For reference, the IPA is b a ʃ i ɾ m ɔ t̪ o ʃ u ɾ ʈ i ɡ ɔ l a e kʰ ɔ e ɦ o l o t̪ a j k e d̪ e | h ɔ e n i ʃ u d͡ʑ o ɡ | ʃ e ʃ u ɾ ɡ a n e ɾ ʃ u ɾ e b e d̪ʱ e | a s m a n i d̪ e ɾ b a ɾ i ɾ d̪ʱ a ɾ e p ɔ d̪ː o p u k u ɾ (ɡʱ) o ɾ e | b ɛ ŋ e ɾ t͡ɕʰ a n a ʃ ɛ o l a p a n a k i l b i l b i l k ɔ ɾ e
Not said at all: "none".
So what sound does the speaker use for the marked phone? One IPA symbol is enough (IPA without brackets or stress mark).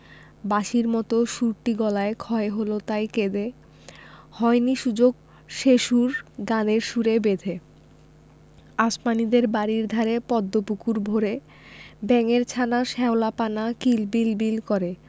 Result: bʱ